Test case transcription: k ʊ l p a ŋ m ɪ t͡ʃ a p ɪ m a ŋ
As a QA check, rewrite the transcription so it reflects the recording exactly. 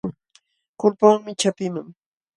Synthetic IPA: k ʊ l p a ŋ m ɪ t͡ʃ a p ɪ m a ŋ